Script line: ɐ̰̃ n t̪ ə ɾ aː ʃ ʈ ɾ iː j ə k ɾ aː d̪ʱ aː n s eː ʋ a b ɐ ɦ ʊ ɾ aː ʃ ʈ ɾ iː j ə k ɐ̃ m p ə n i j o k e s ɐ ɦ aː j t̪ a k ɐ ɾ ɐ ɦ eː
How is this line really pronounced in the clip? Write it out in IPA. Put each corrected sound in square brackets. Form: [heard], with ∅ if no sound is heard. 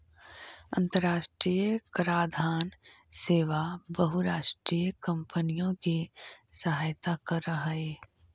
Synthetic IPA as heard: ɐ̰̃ n t̪ ə ɾ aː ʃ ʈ ɾ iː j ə k ɾ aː d̪ʱ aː n s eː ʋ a b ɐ ɦ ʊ ɾ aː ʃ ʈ ɾ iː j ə k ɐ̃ m p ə n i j [õ] k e s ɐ ɦ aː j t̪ a k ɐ ɾ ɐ ɦ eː